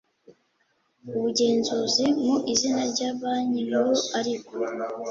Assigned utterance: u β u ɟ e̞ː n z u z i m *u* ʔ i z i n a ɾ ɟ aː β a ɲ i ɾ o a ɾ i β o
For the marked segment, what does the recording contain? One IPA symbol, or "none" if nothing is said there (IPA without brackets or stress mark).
u